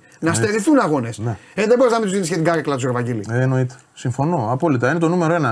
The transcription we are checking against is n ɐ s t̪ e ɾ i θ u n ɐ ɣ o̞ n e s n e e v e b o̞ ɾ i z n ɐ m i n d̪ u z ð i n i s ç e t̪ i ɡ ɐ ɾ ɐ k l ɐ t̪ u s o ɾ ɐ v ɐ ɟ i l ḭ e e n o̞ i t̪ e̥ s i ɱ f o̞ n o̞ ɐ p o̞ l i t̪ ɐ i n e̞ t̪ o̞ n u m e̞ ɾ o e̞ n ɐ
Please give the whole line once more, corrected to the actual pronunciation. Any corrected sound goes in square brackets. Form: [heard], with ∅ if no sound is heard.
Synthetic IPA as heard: n ɐ s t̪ e ɾ i θ u n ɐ ɣ o̞ n e s n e e [ð] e b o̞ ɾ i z n ɐ m i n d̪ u z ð i n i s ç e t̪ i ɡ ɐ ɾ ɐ k l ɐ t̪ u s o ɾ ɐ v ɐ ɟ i l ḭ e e n o̞ i t̪ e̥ s i ɱ f o̞ n o̞ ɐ p o̞ l i t̪ ɐ i n e̞ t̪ o̞ n u m e̞ ɾ o e̞ n ɐ